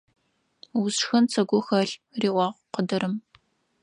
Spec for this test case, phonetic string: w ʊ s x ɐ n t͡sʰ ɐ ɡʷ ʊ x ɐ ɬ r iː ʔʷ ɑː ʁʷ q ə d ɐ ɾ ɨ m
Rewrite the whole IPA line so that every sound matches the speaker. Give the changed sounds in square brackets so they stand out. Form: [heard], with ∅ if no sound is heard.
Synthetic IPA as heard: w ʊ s x ɐ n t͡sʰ ɐ ɡʷ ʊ x ɐ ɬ r iː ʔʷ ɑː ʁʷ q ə d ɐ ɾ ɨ m